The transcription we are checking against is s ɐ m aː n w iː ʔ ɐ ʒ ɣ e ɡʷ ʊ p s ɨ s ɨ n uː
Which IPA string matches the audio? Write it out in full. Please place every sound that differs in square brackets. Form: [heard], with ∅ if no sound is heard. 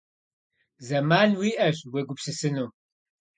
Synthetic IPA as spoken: [z] ɐ m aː n w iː ʔ ɐ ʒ [w] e ɡʷ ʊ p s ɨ s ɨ n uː